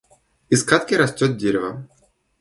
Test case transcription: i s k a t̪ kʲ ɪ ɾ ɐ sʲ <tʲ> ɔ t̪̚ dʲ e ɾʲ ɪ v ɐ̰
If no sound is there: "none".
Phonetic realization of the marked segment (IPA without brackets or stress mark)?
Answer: tʲ